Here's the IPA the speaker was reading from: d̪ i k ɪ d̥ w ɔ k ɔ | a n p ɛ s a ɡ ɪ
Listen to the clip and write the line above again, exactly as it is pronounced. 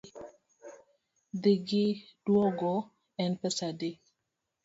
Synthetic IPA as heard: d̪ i ɡ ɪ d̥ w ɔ ɡ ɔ | ɛ n p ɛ s a d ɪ